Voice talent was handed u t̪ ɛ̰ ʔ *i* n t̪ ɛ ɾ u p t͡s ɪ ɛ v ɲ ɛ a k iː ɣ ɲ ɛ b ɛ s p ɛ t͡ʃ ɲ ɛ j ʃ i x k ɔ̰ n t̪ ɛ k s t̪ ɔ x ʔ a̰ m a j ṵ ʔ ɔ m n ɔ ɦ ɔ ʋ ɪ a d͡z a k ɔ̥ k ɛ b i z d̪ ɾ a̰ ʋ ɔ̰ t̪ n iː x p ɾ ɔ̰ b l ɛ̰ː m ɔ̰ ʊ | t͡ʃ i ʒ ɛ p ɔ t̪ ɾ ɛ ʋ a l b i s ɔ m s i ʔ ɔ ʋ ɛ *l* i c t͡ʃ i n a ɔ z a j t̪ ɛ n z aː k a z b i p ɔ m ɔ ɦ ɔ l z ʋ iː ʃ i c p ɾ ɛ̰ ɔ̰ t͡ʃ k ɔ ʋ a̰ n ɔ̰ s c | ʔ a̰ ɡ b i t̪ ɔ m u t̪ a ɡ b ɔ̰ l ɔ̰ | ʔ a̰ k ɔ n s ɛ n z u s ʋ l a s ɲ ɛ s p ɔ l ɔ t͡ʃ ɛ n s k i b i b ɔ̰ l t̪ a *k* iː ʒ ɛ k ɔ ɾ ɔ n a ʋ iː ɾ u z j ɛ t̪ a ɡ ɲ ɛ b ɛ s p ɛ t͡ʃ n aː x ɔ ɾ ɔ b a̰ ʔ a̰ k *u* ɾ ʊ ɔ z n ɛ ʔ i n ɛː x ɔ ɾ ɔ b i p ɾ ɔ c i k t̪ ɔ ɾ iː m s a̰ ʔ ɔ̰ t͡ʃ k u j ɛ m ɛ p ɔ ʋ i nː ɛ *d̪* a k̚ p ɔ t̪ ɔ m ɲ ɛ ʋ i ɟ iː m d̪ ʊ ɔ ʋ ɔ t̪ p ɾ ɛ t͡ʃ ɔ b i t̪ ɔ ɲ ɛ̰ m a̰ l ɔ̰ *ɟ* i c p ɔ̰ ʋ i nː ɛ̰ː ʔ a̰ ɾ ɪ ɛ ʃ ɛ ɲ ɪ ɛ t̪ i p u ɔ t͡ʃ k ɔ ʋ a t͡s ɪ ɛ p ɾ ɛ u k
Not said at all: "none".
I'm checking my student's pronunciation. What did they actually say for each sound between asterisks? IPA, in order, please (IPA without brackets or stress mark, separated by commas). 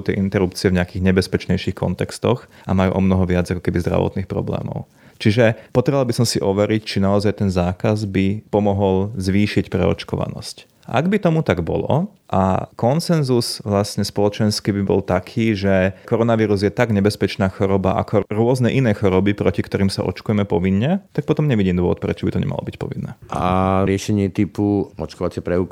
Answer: i, ɾ, kʰ, ɔ, t̪, b